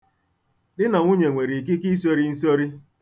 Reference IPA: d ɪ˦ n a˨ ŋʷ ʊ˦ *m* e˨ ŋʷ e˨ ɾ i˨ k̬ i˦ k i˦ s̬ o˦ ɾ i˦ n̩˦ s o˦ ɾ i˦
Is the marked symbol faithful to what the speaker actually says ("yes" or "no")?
no